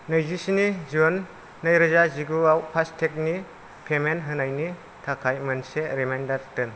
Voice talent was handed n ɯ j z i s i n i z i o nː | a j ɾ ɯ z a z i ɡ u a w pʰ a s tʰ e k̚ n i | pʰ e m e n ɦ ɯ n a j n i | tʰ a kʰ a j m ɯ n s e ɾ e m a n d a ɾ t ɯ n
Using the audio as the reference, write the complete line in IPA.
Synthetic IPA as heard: n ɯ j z i s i n i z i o nː | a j ɾ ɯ z a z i ɡ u a w pʰ a s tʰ e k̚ n i | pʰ e m e n ɦ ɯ n a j n i | tʰ a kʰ a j m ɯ n s e ɾ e m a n d a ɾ t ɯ n